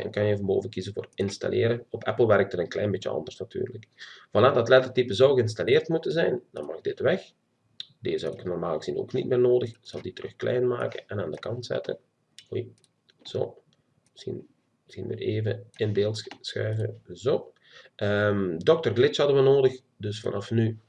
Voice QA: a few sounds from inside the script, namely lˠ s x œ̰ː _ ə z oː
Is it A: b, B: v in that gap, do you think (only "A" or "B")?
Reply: B